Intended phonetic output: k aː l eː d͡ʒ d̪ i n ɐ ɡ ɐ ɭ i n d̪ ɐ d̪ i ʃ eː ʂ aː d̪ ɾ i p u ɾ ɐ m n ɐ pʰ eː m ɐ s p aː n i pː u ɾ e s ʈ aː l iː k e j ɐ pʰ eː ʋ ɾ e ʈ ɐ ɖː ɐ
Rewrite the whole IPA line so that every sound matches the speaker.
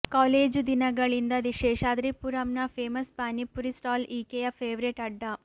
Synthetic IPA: k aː l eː d͡ʒ d̪ i n ɐ ɡ ɐ ɭ i n d̪ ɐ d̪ i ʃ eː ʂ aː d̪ ɾ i p u ɾ ɐ m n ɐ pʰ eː m ɐ s p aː n i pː u ɾ i s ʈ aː l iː k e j ɐ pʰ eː ʋ ɾ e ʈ ɐ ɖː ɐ